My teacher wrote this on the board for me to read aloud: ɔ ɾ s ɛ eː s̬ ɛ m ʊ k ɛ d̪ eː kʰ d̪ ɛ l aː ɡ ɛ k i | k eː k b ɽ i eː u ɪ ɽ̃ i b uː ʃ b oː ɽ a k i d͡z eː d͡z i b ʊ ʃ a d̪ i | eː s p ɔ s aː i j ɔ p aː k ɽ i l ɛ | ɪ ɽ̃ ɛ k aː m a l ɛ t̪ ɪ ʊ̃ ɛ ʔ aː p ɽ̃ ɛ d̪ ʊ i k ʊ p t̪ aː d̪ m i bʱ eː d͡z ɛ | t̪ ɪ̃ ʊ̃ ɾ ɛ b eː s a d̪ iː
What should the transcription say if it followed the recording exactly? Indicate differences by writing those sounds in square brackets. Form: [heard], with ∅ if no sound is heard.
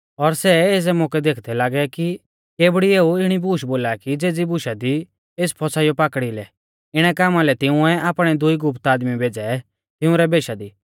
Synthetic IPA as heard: ɔ ɾ s ɛ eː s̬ ɛ m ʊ k ɛ d̪ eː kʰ d̪ ɛ l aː ɡ ɛ k i | k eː [∅] b ɽ i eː u ɪ ɽ̃ i b uː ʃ b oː [l] a k i d͡z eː d͡z i b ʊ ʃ a d̪ i | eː s [pʰ] ɔ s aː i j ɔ p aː k ɽ i l ɛ | ɪ ɽ̃ ɛ k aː m a l ɛ t̪ ɪ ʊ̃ ɛ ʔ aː p ɽ̃ ɛ d̪ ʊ i [ɡ] ʊ p t̪ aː d̪ m i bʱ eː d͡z ɛ | t̪ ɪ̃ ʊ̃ ɾ ɛ b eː [ʃ] a d̪ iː